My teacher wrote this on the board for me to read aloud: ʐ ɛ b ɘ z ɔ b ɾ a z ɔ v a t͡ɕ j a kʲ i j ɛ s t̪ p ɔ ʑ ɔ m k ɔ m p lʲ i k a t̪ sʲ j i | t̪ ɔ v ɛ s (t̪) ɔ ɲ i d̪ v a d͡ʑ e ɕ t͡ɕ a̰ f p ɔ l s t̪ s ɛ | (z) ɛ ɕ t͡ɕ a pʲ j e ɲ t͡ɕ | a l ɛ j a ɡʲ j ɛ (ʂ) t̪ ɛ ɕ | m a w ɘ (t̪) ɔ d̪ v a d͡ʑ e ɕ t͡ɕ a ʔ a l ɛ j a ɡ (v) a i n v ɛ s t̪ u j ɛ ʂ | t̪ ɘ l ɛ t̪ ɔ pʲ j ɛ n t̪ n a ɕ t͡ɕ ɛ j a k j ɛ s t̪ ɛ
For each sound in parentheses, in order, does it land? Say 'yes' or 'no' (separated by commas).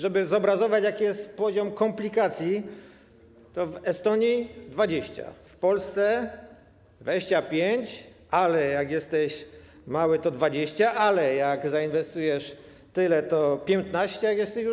yes, no, no, yes, no